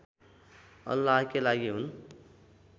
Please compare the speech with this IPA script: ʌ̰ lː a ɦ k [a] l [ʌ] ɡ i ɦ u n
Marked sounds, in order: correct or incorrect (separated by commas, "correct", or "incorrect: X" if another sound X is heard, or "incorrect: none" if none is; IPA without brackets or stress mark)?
incorrect: e, incorrect: a